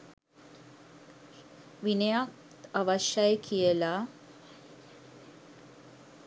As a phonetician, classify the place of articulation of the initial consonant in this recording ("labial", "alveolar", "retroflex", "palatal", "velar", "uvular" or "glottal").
labial